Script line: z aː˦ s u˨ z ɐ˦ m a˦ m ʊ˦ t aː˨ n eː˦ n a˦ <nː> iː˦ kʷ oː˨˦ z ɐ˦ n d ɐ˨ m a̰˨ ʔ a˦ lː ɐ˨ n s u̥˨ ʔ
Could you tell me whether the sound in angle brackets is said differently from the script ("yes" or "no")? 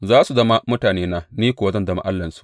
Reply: yes